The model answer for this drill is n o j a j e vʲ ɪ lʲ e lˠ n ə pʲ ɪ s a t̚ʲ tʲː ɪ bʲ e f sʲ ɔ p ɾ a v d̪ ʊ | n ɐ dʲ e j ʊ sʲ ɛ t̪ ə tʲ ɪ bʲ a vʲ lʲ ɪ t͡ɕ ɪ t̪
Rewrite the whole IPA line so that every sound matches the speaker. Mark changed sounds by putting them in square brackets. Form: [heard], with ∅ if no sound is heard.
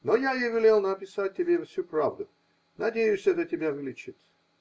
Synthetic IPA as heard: n o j a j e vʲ ɪ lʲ e lˠ n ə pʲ ɪ s a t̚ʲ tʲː ɪ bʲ e f sʲ [u] p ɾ a v d̪ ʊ | n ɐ dʲ e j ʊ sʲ ɛ t̪ ə tʲ ɪ bʲ a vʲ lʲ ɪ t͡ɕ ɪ t̪